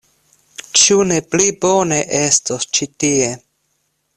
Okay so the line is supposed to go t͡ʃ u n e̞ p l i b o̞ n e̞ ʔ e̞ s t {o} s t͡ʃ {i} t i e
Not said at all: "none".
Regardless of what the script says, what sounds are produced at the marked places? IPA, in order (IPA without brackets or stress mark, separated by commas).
o, i